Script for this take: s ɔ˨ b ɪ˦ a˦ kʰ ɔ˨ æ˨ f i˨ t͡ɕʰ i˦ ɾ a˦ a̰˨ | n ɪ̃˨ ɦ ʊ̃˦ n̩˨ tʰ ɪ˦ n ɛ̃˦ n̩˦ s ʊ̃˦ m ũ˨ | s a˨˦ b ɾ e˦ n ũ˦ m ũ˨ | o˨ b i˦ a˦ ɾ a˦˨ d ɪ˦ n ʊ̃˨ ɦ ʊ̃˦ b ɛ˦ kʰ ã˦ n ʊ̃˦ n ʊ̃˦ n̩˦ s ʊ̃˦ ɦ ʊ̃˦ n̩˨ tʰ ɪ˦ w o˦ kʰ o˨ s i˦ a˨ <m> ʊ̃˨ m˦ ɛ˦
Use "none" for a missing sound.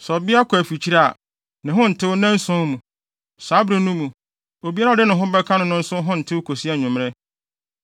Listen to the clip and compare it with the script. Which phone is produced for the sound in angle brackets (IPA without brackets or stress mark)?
ɲ